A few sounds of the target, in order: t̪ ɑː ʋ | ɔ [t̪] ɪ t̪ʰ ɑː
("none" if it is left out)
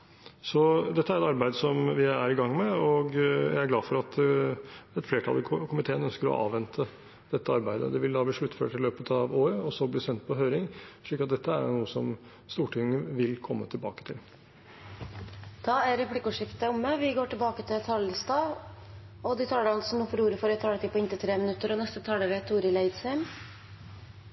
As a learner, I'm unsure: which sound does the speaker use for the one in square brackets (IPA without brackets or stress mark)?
d̪